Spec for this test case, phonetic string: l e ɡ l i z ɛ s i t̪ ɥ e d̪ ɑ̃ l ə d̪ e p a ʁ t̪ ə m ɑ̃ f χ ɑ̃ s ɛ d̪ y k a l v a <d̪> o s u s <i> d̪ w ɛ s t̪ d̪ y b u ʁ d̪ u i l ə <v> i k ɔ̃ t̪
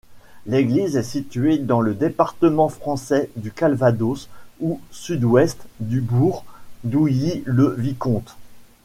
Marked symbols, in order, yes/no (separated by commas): yes, no, yes